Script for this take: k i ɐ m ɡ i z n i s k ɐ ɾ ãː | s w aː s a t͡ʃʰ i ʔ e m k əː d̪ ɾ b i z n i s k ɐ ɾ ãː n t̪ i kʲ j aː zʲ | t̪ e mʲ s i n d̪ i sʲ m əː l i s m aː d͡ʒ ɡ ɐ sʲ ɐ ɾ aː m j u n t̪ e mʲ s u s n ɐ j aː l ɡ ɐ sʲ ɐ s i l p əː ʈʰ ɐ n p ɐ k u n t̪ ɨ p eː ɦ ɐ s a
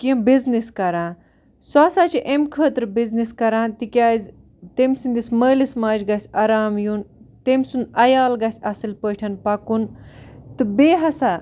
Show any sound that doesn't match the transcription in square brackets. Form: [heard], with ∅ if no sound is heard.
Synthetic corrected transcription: k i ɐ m [b] i z n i s k ɐ ɾ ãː | s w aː s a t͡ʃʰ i ʔ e m [kʰ] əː [t̪] ɾ b i z n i s k ɐ ɾ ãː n t̪ i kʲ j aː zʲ | t̪ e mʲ s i n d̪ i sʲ m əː l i s m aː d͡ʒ ɡ ɐ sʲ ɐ ɾ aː m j u n t̪ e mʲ s u [∅] n ɐ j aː l ɡ ɐ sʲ ɐ s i l p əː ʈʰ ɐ n p ɐ k u n t̪ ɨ [b] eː ɦ ɐ s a